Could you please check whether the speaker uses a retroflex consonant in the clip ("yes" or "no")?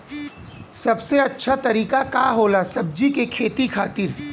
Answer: no